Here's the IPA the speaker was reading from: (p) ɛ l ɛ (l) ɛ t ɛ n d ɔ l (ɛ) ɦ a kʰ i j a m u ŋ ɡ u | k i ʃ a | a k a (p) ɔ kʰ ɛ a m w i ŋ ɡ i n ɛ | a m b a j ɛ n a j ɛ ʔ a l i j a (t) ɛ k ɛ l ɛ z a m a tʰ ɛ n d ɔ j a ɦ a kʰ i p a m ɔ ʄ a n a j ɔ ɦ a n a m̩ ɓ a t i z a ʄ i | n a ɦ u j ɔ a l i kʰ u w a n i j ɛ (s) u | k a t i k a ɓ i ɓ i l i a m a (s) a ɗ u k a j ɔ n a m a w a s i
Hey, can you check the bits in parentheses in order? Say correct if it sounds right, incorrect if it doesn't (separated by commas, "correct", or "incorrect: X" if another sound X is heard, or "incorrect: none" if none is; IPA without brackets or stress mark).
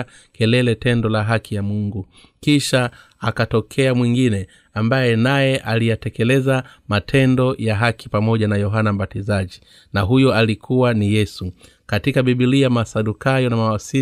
incorrect: k, correct, incorrect: a, incorrect: t, correct, correct, correct